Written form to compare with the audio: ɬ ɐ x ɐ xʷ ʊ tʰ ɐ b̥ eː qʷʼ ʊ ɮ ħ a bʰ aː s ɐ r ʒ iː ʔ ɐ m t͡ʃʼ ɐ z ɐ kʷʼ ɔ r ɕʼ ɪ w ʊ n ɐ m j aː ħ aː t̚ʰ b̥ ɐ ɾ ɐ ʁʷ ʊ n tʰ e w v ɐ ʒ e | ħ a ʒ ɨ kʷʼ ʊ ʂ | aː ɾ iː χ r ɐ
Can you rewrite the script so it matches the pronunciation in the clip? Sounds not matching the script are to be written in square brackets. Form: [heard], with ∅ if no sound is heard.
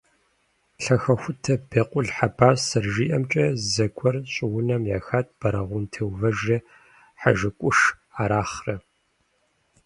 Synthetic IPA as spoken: ɬ ɐ x ɐ xʷ ʊ tʰ ɐ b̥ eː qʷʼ ʊ ɮ ħ a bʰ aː s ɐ r ʒ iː ʔ ɐ m t͡ʃʼ ɐ z ɐ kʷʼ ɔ r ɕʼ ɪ w ʊ n ɐ m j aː [x] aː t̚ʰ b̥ ɐ ɾ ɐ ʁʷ ʊ n tʰ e w v ɐ ʒ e | ħ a ʒ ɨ kʷʼ ʊ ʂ | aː ɾ [aː] χ r ɐ